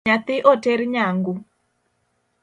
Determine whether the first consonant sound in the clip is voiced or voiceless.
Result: voiceless